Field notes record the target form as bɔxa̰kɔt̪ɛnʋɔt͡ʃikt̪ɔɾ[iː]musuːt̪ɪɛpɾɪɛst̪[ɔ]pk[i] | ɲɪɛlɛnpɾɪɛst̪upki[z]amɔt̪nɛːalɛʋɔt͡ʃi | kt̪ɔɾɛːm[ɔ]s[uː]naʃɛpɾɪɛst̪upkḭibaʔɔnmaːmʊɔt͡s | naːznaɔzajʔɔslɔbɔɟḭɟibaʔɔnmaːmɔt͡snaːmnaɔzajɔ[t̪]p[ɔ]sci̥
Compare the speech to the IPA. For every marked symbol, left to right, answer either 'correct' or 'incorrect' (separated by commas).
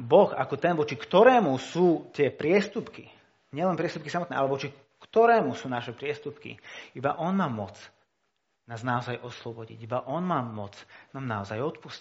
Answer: incorrect, incorrect, correct, incorrect, incorrect, correct, correct, incorrect